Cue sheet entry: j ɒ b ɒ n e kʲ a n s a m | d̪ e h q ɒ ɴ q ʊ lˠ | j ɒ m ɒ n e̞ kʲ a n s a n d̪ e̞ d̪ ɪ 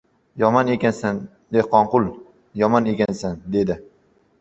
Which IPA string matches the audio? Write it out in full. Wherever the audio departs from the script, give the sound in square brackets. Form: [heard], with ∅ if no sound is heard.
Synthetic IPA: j ɒ [m] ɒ n e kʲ a n s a [n] | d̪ e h q ɒ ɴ q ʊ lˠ | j ɒ m ɒ n e̞ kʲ a n s a n d̪ e̞ d̪ ɪ